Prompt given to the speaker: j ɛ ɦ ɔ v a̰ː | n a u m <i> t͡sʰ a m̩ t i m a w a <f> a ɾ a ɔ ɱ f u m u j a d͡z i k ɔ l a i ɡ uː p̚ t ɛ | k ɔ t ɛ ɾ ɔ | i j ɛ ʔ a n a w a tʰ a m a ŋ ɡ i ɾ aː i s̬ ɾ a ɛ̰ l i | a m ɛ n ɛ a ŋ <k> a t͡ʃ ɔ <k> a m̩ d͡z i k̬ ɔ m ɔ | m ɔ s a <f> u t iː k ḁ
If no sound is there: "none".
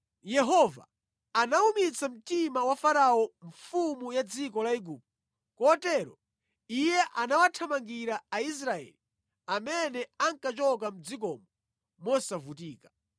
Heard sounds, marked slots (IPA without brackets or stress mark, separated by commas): i, f, k, k, v